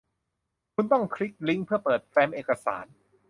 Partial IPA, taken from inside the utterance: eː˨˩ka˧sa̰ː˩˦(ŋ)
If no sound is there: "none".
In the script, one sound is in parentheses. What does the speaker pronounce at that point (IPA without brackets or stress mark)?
n